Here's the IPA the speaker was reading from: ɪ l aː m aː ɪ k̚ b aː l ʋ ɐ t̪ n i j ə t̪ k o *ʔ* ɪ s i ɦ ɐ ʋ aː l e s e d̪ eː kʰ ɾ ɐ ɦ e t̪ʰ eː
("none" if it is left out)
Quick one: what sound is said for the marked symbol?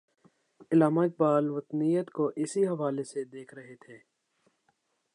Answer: ʔ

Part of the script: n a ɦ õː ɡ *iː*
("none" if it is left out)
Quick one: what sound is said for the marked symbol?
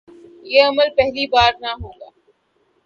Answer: aː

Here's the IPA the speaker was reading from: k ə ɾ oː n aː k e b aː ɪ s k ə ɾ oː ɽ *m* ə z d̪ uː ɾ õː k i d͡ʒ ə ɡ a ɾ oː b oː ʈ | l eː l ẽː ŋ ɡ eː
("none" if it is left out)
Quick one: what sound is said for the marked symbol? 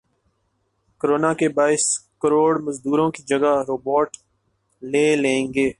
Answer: m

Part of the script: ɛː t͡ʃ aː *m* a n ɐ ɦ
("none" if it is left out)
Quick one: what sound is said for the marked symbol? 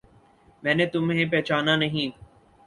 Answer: n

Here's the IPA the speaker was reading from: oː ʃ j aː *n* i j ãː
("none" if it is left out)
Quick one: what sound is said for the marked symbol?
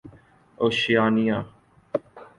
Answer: n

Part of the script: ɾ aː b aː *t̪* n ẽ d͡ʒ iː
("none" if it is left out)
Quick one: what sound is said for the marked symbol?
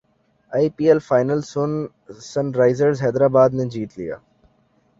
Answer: d̪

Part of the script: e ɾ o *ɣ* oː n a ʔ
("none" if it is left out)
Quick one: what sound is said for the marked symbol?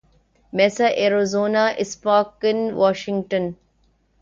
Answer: z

